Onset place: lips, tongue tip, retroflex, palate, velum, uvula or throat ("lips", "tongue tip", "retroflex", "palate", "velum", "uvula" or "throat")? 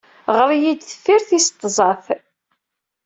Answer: uvula